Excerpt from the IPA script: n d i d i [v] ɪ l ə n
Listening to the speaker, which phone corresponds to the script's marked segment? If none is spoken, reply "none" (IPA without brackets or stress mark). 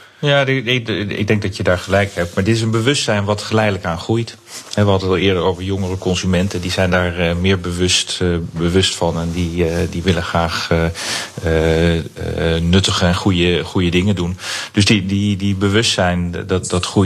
ʋ